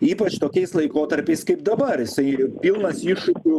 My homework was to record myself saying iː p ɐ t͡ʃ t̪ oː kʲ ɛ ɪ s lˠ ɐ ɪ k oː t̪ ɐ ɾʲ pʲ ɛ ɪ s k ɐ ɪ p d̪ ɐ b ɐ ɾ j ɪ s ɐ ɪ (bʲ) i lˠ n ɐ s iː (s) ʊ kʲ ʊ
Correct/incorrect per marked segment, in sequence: incorrect: pʲ, incorrect: ʃ

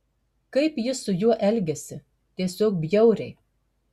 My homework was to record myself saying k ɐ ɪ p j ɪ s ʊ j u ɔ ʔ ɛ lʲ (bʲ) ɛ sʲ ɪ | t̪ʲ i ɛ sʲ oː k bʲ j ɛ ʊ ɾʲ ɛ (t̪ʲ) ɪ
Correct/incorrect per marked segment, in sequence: incorrect: ɡʲ, incorrect: none

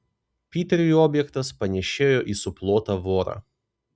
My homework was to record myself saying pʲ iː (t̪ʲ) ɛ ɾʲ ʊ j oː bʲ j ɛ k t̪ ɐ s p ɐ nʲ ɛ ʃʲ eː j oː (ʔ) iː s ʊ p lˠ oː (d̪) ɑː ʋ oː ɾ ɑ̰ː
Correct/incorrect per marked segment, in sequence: correct, correct, incorrect: t̪

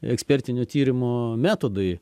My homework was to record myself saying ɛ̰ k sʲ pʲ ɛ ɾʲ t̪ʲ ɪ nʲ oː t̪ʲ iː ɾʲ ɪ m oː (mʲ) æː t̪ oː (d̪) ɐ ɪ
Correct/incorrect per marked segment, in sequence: correct, correct

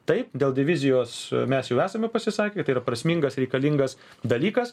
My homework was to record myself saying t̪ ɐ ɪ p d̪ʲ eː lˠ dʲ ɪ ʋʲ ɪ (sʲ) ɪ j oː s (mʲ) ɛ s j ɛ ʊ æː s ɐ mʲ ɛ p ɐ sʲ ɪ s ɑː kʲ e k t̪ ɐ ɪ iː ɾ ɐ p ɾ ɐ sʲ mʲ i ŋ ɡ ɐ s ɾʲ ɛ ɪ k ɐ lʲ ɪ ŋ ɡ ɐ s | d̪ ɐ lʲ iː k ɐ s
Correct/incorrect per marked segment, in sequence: incorrect: zʲ, correct

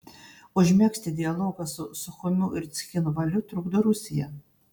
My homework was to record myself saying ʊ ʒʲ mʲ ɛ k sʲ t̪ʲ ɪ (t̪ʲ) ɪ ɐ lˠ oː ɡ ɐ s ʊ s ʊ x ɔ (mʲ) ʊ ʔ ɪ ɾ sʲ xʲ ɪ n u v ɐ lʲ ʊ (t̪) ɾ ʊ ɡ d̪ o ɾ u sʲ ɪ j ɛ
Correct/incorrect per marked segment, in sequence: incorrect: d̪ʲ, correct, correct

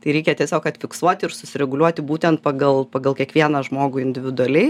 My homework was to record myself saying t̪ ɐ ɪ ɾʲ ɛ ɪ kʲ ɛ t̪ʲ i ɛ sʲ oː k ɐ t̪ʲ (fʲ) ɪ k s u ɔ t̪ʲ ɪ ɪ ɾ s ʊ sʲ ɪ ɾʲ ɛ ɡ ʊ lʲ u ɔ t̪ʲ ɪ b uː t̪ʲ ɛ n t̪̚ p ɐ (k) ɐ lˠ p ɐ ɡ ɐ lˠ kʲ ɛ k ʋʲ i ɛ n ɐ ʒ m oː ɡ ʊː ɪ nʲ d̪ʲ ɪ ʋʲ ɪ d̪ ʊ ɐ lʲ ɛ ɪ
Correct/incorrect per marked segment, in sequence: correct, incorrect: ɡ

